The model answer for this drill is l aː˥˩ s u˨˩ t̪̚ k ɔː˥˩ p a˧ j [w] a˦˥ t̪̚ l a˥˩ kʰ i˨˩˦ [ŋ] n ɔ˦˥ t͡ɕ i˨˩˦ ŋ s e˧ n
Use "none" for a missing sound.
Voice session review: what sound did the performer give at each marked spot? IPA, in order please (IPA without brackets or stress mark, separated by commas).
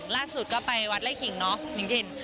w, ŋ